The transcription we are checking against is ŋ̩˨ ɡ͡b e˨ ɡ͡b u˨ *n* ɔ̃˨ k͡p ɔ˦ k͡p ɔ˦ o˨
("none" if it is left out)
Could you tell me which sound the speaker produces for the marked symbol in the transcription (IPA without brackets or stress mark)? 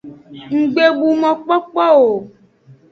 m